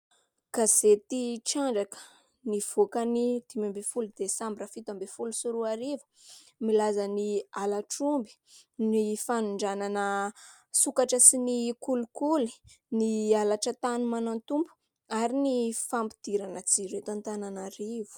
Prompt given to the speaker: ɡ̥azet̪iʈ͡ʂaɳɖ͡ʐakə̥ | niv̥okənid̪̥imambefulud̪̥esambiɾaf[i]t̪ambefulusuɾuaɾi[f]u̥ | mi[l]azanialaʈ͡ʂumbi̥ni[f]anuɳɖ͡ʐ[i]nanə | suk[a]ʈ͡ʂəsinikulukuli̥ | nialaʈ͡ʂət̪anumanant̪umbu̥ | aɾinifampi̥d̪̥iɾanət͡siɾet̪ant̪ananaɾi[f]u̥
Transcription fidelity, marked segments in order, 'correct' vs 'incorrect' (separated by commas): correct, incorrect, correct, correct, incorrect, correct, incorrect